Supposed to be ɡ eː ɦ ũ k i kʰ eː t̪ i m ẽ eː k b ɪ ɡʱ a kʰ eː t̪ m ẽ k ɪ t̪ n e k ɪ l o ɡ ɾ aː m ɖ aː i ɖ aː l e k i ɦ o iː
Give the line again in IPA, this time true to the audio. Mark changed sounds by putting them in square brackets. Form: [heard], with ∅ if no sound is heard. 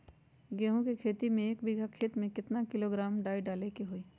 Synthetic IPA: ɡ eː ɦ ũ k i kʰ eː t̪ i m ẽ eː k b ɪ ɡʱ a kʰ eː t̪ m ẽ k ɪ t̪ n [a] k ɪ l o ɡ ɾ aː m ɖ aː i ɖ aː l e k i ɦ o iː